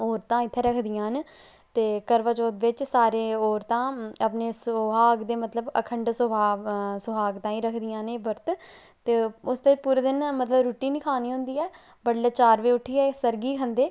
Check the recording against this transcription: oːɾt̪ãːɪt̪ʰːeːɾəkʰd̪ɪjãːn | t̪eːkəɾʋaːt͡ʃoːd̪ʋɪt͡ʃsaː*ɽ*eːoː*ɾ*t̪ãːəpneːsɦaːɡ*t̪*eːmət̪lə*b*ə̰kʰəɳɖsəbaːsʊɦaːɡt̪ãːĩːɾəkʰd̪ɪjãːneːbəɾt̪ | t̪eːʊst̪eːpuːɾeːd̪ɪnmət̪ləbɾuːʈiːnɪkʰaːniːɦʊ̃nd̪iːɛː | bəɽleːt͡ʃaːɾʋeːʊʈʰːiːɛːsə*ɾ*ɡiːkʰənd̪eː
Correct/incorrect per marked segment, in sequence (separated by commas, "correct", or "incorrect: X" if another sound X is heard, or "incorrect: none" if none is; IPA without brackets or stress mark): incorrect: ɾ, correct, incorrect: d̪, correct, correct